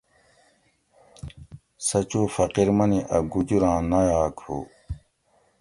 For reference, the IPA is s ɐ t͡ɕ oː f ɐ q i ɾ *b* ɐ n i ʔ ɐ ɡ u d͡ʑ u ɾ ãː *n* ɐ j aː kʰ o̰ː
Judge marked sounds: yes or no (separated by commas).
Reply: no, yes